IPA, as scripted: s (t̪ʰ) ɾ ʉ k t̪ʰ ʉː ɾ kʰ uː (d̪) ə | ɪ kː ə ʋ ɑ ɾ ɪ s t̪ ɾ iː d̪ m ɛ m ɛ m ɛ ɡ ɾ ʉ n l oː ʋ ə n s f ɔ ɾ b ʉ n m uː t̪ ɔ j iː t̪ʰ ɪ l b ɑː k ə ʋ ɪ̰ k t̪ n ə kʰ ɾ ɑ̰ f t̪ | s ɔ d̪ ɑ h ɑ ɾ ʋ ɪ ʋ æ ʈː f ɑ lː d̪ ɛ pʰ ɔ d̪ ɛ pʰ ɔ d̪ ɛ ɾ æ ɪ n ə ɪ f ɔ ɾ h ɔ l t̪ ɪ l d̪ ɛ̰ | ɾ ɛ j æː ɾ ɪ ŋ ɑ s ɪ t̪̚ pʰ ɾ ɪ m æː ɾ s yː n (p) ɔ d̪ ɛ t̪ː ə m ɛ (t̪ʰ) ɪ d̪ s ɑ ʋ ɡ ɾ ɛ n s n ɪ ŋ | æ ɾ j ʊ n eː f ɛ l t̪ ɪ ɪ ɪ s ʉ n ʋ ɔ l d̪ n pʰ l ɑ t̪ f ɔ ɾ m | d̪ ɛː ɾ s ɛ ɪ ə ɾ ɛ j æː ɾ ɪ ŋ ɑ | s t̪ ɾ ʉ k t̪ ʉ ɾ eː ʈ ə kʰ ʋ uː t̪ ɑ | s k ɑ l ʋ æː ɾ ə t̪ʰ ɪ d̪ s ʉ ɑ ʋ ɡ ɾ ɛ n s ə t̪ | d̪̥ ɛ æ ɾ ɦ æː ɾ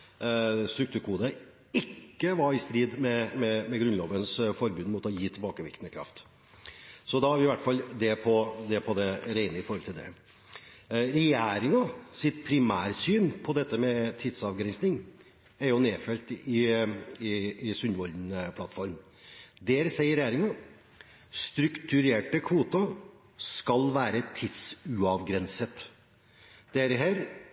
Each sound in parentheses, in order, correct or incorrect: incorrect, correct, incorrect, correct

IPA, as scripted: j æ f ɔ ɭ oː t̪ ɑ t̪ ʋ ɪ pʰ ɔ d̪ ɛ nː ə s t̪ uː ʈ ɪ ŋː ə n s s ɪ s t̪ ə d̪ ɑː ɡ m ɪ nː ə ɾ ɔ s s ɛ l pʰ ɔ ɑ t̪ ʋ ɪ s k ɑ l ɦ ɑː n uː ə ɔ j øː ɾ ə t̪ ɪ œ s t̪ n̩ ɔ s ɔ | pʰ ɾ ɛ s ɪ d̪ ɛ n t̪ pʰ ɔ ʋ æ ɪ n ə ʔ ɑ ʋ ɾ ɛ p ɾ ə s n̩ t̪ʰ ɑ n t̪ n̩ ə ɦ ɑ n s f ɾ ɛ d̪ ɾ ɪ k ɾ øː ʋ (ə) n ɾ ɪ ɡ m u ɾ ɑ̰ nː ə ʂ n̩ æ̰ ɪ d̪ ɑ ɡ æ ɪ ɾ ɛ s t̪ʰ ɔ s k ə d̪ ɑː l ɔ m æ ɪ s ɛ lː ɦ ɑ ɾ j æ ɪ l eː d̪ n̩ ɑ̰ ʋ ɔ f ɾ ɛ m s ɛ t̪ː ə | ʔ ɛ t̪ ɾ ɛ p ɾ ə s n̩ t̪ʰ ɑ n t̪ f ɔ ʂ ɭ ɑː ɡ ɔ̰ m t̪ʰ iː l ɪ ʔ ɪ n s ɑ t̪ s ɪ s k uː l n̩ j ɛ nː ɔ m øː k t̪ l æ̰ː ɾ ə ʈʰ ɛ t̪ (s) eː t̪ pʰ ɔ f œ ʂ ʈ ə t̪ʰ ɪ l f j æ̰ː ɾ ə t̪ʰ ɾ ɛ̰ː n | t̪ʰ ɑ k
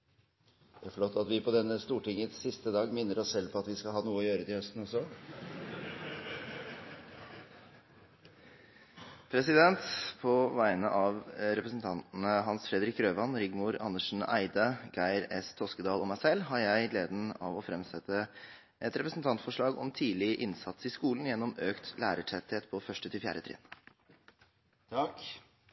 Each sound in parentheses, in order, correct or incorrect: incorrect, incorrect

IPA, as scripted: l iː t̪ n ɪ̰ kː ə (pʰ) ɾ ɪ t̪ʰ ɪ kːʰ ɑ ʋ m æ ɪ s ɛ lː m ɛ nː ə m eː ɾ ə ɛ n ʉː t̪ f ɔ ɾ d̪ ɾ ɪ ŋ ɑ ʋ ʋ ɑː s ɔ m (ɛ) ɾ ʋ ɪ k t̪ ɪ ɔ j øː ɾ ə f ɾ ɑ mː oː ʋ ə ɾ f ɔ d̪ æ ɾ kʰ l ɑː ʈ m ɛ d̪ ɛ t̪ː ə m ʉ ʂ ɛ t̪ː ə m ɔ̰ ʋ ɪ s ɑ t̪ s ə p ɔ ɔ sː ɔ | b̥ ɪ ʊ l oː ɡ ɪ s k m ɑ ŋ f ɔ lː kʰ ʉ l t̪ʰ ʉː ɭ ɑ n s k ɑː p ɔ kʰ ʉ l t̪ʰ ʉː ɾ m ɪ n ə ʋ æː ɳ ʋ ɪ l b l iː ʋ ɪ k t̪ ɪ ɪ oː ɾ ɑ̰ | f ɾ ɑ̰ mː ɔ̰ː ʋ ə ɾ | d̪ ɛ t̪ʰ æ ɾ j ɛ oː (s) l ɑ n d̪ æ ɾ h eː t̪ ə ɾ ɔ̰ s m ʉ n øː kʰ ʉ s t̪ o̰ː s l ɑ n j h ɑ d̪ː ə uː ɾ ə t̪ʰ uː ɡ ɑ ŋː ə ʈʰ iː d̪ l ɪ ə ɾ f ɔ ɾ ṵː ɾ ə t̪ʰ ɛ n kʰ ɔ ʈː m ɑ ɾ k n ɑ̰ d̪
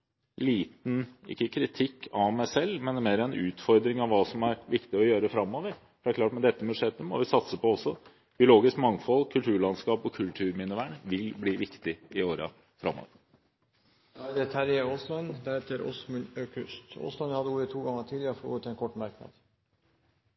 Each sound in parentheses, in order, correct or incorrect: incorrect, incorrect, correct

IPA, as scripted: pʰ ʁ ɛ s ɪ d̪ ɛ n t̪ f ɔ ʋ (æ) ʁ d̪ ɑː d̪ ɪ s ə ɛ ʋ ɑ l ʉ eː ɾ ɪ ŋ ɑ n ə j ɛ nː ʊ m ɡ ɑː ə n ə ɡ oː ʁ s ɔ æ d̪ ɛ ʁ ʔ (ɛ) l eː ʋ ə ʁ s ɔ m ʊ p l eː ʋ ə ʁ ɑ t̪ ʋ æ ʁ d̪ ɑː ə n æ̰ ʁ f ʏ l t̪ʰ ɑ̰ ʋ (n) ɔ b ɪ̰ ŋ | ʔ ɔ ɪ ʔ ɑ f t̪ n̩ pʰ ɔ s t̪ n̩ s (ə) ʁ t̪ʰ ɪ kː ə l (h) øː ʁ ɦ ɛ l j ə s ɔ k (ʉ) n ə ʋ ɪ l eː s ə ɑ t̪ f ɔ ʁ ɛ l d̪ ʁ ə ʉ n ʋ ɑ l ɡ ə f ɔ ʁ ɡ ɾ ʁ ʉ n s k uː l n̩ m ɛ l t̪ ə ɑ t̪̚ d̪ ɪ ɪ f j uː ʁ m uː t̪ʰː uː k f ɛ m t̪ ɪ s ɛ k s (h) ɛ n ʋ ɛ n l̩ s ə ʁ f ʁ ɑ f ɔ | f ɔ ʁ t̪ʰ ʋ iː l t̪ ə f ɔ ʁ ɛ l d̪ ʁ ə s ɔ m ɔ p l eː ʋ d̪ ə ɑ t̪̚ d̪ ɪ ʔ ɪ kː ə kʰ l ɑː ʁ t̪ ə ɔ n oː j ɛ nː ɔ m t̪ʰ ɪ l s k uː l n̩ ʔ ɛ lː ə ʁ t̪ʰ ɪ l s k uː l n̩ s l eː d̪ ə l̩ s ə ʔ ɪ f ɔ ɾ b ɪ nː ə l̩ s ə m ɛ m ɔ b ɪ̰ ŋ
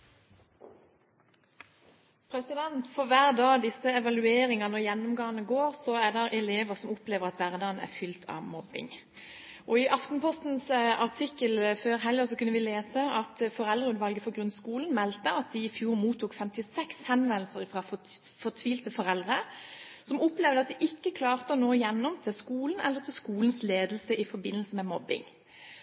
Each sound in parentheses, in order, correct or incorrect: incorrect, correct, incorrect, incorrect, incorrect, correct, correct

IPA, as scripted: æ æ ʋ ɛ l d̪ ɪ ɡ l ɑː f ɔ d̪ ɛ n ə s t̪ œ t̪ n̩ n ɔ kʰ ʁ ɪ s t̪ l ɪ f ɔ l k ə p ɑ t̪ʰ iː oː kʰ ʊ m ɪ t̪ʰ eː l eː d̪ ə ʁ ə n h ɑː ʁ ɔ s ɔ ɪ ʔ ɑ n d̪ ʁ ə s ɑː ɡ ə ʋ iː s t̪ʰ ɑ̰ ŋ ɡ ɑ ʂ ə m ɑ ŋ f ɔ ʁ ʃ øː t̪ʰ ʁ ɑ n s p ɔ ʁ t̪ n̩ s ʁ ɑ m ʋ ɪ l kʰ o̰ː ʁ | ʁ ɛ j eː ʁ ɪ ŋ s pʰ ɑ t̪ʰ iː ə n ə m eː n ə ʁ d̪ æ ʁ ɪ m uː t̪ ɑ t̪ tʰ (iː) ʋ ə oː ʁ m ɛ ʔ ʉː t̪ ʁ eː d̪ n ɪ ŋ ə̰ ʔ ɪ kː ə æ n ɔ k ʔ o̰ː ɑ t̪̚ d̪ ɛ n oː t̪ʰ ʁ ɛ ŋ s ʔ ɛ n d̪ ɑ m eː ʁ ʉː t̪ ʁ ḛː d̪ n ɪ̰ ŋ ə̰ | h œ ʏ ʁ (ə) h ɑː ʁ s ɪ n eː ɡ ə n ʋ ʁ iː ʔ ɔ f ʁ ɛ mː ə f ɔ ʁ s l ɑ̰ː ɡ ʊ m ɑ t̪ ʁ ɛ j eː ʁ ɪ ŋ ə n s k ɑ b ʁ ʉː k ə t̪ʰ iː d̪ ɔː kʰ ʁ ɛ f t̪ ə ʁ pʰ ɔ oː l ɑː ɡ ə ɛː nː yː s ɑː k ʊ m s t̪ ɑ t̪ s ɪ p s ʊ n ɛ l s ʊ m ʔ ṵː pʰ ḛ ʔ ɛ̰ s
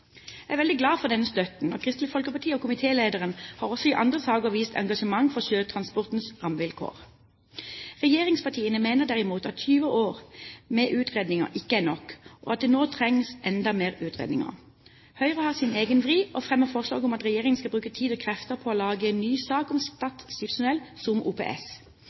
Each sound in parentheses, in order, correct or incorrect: incorrect, correct

